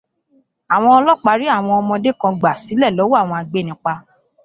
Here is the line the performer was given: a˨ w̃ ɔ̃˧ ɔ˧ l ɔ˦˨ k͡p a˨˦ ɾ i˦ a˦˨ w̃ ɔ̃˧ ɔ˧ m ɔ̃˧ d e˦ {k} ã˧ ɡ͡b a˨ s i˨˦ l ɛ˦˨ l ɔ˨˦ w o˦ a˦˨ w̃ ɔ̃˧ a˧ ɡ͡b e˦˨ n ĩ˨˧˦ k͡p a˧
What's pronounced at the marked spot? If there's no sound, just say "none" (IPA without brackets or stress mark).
k